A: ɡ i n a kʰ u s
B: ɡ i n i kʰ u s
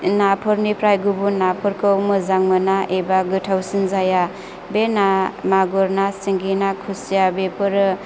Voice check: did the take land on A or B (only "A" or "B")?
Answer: A